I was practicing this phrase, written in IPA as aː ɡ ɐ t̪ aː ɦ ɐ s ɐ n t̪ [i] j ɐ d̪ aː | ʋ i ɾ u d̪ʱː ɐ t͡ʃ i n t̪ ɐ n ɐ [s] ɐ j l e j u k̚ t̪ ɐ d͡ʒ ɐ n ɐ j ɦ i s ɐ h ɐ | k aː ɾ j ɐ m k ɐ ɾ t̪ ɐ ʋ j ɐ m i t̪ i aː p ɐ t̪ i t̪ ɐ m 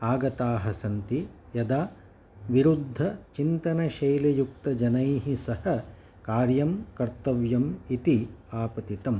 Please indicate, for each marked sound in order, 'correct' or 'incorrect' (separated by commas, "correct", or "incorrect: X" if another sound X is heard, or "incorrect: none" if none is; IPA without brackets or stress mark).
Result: correct, incorrect: ʃ